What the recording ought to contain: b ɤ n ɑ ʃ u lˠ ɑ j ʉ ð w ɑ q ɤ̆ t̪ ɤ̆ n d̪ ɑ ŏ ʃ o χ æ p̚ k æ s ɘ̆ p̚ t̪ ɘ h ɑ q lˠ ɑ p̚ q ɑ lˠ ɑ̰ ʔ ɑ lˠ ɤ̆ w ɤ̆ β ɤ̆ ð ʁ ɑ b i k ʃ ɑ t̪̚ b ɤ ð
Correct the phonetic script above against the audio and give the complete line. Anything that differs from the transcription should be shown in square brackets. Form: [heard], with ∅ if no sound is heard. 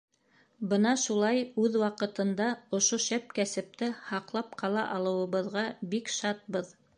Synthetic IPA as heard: b ɤ n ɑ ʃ u lˠ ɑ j ʉ ð w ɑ q ɤ̆ t̪ ɤ̆ n d̪ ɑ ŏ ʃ o [ʃ] æ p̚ k æ s ɘ̆ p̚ t̪ ɘ h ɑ q lˠ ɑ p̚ q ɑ lˠ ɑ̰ ʔ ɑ lˠ ɤ̆ w ɤ̆ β ɤ̆ ð ʁ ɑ b i k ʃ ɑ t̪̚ b ɤ ð